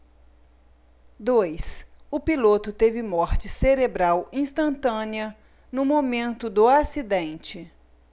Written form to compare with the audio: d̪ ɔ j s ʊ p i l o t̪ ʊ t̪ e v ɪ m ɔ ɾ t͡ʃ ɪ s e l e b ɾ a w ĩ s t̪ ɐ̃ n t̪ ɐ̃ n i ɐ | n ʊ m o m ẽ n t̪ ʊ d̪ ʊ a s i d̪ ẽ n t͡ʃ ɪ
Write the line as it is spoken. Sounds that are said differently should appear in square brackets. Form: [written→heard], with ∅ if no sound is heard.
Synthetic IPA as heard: d̪ [ɔ→o] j s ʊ p i l o t̪ ʊ t̪ e v ɪ m ɔ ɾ t͡ʃ ɪ s e [l→ɾ] e b ɾ a w ĩ s t̪ ɐ̃ n t̪ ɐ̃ n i ɐ | n ʊ m o m ẽ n t̪ ʊ d̪ ʊ a s i d̪ ẽ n t͡ʃ ɪ